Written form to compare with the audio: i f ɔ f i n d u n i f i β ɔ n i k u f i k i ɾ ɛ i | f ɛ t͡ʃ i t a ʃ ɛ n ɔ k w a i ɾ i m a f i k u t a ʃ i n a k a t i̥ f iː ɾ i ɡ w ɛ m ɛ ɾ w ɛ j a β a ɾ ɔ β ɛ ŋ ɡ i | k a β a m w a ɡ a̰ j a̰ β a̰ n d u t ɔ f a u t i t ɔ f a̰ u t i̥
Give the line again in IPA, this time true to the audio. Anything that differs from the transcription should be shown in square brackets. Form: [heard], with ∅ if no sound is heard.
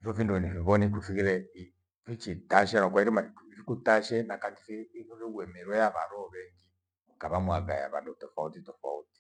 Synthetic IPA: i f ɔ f i n d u n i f i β ɔ n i k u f i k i ɾ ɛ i | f [i] t͡ʃ i t a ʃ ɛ n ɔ k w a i ɾ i m a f i k u t a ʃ [ɛ] n a k a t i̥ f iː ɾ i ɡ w ɛ m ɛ ɾ w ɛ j a β a ɾ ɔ β ɛ ŋ ɡ i | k a β a m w a ɡ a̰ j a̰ β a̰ n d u t ɔ f a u t i t ɔ f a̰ u t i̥

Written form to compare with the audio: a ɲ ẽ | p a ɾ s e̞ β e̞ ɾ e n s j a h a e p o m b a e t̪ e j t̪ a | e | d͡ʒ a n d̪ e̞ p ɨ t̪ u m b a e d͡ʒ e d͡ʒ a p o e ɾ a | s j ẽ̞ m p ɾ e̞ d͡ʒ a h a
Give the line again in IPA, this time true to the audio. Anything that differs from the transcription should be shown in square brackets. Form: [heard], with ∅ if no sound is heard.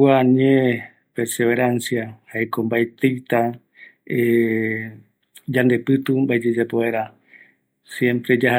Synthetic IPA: a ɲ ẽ | p [e] ɾ s e̞ β e̞ ɾ [a] n s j a h a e [k] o m b a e t̪ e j t̪ a | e | d͡ʒ a n d̪ e̞ p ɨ t̪ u m b a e d͡ʒ e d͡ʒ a p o e ɾ a | s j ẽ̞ m p ɾ e̞ d͡ʒ a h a

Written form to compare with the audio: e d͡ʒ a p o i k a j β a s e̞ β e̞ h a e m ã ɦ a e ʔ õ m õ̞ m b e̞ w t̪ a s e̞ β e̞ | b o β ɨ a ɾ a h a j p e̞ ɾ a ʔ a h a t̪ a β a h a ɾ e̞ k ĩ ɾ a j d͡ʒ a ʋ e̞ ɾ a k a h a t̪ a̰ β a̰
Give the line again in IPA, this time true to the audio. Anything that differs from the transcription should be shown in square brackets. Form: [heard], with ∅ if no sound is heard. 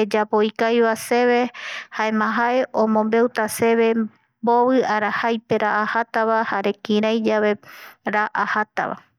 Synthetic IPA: e d͡ʒ a p o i k a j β a s e̞ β e̞ h a e m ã ɦ a e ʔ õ m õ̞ m b e̞ w t̪ a s e̞ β e̞ | b o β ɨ a ɾ a h a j p e̞ ɾ a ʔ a h a t̪ a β a h a ɾ e̞ k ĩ ɾ a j d͡ʒ a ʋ e̞ ɾ a [ʔ] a h a t̪ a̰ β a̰

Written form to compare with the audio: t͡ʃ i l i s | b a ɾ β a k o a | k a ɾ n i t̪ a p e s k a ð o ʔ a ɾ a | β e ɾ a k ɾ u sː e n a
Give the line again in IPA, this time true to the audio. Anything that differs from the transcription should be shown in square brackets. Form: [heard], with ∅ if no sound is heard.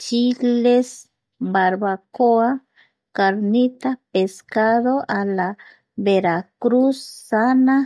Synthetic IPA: t͡ʃ i l [e] s | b a ɾ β a k o a | k a ɾ n i t̪ a p e s k a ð o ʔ a [l] a | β e ɾ a k ɾ u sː [a] n a

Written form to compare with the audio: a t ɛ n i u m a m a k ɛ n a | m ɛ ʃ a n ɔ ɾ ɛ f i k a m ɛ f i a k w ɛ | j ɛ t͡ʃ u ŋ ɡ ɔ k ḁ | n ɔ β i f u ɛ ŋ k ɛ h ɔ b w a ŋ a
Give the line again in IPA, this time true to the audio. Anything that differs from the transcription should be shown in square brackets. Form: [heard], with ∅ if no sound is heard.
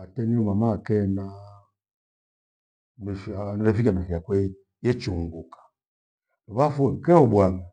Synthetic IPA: a t ɛ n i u m a m a k ɛ n a | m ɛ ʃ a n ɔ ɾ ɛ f i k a m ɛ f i a k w ɛ | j ɛ t͡ʃ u ŋ ɡ [u] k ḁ | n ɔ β [a] f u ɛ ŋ k ɛ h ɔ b w a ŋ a

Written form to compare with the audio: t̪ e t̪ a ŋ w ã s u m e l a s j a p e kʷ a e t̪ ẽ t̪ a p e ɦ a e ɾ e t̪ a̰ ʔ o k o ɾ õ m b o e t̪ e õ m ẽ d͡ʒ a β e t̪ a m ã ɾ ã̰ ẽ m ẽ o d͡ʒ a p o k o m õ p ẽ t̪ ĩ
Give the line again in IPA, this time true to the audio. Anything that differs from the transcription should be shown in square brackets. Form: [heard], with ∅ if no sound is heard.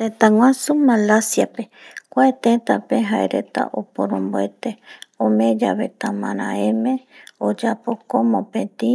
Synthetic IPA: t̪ e t̪ a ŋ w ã s u m [a] l a s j a p e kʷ a e t̪ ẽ t̪ a p e ɦ a e ɾ e t̪ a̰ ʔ o [p] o ɾ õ m b o e t̪ e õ m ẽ d͡ʒ a β e t̪ a m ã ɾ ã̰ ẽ m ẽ o d͡ʒ a p o k o m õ p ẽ t̪ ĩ

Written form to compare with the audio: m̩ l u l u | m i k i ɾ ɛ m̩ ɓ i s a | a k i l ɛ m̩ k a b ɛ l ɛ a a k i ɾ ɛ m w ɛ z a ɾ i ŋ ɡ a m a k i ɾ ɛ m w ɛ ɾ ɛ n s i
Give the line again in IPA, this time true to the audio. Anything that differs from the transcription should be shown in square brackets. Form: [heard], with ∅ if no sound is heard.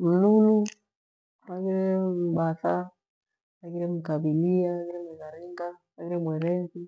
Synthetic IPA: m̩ l u l u | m [a] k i ɾ ɛ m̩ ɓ [a] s a | a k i [ɾ] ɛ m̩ k a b [i] l [i] a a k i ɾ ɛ m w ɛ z a ɾ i ŋ ɡ a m a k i ɾ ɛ m w ɛ ɾ ɛ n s i

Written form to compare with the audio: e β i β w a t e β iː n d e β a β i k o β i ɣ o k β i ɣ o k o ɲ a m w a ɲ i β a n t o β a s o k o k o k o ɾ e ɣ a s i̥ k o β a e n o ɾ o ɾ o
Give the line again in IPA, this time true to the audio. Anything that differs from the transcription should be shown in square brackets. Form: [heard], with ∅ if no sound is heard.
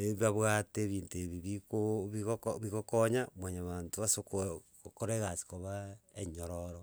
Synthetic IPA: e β [a] β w a t e β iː n [t] e β [i] β i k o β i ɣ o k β i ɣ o k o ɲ a m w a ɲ [a] β a n t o β a s o k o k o k o ɾ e ɣ a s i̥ k o β a e [ɲ] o ɾ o ɾ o

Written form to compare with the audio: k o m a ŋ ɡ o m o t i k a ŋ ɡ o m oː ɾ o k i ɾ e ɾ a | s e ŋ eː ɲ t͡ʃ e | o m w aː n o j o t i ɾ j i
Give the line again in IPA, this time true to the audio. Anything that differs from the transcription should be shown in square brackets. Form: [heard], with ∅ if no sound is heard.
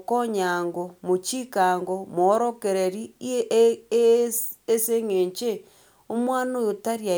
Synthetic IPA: k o [ɲ] a ŋ ɡ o m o [t͡ʃ] i k a ŋ ɡ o m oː ɾ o k [e] ɾ e ɾ [i] | s e ŋ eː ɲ t͡ʃ e | o m w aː n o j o t [a] ɾ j [a]

